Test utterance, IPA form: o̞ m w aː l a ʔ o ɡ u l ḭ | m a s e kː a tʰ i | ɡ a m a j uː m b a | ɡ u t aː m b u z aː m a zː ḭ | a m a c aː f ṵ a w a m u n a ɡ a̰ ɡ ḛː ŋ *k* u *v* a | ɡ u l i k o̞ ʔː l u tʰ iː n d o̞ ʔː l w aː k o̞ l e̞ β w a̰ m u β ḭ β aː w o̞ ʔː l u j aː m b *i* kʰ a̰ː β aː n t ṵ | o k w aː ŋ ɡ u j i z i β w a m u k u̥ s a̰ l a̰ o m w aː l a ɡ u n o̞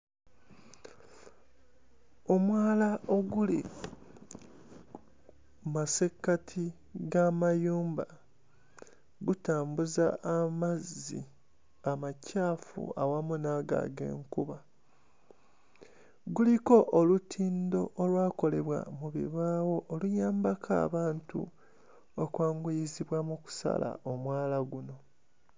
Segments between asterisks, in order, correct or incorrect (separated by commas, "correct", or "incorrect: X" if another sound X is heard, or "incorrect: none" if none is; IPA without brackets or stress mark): correct, incorrect: β, incorrect: a